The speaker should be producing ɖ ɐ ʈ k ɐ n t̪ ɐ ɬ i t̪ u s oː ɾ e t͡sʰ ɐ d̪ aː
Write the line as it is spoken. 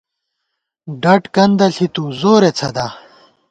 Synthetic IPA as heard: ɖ ɐ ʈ k ɐ n d̪ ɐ ɬ i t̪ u z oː ɾ e t͡sʰ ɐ d̪ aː